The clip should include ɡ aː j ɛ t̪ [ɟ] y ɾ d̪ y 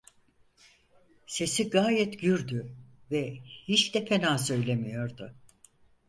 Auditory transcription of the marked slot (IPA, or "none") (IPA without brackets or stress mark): ɟ